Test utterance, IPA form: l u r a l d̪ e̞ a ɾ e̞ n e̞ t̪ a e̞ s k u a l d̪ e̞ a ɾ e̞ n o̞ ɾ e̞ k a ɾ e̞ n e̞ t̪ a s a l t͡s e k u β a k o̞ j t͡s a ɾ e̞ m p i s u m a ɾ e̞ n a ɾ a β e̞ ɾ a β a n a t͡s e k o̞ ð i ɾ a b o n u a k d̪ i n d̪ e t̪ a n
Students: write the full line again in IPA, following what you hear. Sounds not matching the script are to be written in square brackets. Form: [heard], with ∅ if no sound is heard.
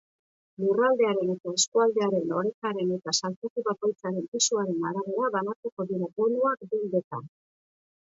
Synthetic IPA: l u r a l d̪ e̞ a ɾ e̞ n e̞ t̪ a e̞ s k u a l d̪ e̞ a ɾ e̞ n o̞ ɾ e̞ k a ɾ e̞ n e̞ t̪ a s a l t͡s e k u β a k o̞ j t͡s a ɾ e̞ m p i s u [∅] a ɾ e̞ n a ɾ a β e̞ ɾ a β a n a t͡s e k o̞ ð i ɾ a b o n u a k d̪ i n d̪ e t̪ a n